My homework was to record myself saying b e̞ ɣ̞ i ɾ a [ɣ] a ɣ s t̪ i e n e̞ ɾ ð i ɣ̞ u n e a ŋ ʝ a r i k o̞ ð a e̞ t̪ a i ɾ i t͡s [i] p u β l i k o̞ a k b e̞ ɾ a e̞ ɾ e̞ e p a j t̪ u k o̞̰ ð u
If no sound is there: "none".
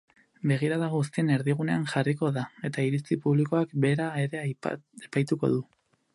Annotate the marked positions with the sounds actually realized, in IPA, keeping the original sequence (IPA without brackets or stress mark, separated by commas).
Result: ð, i